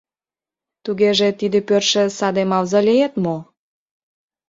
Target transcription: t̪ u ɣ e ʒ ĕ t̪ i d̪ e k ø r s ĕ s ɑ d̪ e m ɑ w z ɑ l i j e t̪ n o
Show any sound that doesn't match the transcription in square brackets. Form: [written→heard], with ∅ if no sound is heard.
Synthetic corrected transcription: t̪ u ɣ e ʒ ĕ t̪ i d̪ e [k→p] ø r [s→ʃ] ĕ s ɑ d̪ e m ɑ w z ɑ l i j e t̪ [n→m] o

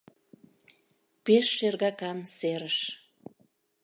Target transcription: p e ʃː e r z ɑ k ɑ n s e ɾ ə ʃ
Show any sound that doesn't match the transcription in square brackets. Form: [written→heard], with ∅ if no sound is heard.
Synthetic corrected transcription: p e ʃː e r [z→ɣ] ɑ k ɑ n s e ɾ ə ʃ

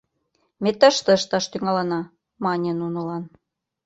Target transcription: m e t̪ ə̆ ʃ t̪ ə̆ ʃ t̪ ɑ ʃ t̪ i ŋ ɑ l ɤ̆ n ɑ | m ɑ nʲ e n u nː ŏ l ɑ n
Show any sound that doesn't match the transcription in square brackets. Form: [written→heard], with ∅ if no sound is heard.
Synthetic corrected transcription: m e t̪ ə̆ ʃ t̪ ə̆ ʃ t̪ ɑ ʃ t̪ [i→y] ŋ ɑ l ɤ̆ n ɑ | m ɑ nʲ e n u [nː→n] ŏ l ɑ n

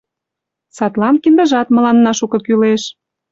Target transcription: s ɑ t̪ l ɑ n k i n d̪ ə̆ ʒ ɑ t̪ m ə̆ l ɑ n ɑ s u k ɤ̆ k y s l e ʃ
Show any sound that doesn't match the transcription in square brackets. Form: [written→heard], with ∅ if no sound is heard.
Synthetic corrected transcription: s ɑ t̪ l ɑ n k i n d̪ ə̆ ʒ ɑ t̪ m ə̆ l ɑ [n→nː] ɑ [s→ʃ] u k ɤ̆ k y [s→∅] l e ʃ

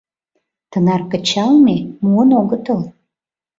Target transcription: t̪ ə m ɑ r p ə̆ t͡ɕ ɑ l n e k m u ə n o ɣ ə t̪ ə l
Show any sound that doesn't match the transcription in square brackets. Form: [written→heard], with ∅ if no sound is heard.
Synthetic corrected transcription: t̪ ə [m→n] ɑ r [p→k] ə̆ t͡ɕ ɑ l [n→m] e [k→∅] m u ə n o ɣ ə t̪ ə l

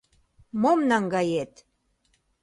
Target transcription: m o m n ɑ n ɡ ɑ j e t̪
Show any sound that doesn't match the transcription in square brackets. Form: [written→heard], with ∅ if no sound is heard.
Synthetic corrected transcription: m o m n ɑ [n→ŋ] ɡ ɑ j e t̪

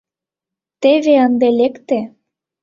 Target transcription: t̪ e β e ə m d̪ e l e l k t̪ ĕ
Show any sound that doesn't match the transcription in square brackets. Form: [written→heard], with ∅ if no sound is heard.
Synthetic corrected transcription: t̪ e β e ə [m→n] d̪ e l e [l→∅] k t̪ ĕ

